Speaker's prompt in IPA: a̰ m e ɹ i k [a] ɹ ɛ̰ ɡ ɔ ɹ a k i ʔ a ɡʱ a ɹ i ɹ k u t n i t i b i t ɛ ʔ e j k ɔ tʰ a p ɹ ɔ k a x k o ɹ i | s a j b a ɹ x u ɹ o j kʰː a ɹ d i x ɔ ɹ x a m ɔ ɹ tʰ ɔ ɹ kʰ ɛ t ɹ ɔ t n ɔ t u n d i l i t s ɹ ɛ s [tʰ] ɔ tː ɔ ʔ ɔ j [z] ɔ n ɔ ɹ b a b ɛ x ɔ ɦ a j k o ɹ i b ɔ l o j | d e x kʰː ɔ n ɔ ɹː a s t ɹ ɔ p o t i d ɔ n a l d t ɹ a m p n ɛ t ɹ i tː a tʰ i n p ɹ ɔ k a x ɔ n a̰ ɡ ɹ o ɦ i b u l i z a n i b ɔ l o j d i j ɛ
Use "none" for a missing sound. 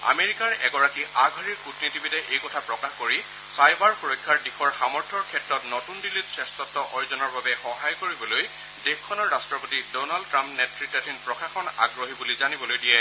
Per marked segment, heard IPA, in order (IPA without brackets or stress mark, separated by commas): a, t, z